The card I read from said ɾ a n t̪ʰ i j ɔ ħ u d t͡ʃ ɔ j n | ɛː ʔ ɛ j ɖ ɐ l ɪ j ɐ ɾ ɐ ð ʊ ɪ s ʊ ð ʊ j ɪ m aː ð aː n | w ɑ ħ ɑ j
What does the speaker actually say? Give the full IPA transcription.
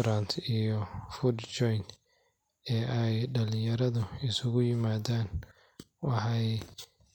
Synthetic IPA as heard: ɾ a n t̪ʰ i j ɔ f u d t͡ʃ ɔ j n | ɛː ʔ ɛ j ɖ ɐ l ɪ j ɐ ɾ ɐ ð ʊ ɪ s ʊ ɣ ʊ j ɪ m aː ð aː n | w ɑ ħ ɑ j